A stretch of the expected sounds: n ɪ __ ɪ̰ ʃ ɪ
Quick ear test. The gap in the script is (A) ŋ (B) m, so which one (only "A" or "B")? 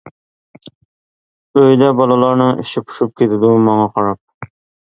A